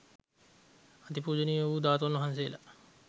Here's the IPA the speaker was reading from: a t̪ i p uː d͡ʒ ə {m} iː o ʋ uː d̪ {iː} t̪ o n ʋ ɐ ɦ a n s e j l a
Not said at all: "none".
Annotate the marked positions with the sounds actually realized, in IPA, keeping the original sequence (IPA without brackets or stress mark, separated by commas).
n, aː